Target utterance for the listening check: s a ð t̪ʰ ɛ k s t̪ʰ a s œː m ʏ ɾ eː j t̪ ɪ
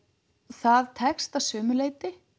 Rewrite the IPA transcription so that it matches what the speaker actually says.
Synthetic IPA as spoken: θ a ð t̪ʰ ɛ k s t̪ a s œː m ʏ l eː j t̪ ɪ

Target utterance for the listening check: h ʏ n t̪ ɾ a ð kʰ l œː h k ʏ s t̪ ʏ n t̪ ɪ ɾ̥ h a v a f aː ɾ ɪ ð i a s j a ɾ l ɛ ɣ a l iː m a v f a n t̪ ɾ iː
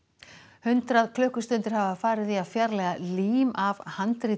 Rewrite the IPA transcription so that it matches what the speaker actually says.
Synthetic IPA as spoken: h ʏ n t̪ ɾ a ð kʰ l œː h k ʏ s t̪ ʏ n t̪ ɪ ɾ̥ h a v a f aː ɾ ɪ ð i a f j a ɾ l ɛ ɣ a l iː m a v h a n t̪ ɾ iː

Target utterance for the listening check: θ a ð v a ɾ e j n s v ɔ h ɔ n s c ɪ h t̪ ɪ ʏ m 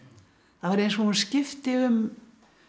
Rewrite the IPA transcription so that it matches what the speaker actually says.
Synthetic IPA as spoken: θ a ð v a ɾ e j n s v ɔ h u n s c ɪ f t̪ ɪ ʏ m

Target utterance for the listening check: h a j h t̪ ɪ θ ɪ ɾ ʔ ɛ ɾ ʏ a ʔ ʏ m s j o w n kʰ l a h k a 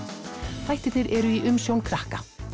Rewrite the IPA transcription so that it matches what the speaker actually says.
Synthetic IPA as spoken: θ a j h t̪ ɪ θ ɪ ɾ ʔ ɛ ɾ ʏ i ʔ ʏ m s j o w n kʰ ɾ a h k a

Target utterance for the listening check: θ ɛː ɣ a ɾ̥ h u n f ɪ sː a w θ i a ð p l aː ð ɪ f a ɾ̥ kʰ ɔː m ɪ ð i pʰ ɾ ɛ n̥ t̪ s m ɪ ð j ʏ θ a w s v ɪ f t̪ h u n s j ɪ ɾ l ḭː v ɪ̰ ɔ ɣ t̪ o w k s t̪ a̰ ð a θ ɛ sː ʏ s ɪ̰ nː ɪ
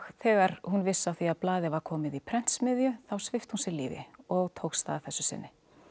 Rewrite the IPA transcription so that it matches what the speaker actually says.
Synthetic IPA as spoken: θ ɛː ɣ a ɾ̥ h u n v ɪ sː a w θ i a ð p l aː ð ɪ v a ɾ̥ kʰ ɔː m ɪ ð i pʰ ɾ ɛ n̥ t̪ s m ɪ ð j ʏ θ a w s v ɪ f t̪ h u n s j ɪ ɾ l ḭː v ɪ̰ ɔ ɣ t̪ʰ o w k s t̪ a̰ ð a θ ɛ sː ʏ s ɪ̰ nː ɪ

